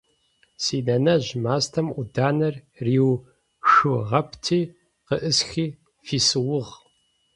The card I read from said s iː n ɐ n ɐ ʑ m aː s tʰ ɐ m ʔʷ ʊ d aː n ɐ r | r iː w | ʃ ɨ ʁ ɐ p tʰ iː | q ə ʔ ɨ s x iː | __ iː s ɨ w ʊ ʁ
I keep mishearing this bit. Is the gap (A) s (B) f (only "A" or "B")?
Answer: B